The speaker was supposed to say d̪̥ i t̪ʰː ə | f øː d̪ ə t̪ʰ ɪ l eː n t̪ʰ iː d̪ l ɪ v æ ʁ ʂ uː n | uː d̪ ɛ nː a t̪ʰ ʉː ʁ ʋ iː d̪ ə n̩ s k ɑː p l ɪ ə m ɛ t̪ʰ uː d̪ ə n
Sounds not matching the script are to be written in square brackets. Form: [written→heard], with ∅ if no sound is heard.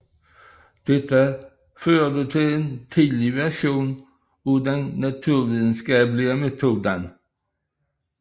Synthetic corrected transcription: d̪̥ [i→ɛ] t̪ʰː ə | f øː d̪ ə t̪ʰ ɪ l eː n t̪ʰ iː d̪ l ɪ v æ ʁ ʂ uː n | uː d̪ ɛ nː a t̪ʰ ʉː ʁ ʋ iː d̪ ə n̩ s k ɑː p l ɪ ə m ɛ t̪ʰ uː d̪ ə n